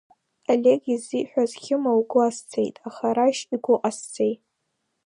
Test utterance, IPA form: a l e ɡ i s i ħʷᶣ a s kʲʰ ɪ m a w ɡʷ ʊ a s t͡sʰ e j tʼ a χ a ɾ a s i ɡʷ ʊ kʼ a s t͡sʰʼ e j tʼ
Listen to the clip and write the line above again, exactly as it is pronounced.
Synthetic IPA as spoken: a l e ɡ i z i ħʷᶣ a z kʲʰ ɪ m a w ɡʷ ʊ a s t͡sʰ e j tʼ a χ a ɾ a ʃ i ɡʷ ʊ qʼ a s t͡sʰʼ e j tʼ